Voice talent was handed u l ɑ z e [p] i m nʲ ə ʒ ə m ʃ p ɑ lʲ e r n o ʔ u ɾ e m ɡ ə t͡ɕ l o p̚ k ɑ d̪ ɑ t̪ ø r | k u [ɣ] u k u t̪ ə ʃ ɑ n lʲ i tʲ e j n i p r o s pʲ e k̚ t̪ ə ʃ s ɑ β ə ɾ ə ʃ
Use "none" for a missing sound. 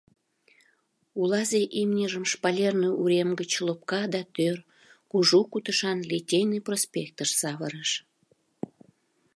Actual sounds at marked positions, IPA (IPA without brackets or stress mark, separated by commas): ʔ, ʒ